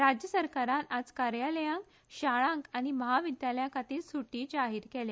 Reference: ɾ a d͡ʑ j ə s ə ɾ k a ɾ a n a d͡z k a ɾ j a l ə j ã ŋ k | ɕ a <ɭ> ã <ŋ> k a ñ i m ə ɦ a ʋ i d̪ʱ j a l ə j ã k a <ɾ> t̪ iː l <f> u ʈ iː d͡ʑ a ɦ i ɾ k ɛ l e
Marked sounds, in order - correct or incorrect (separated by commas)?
correct, correct, incorrect, incorrect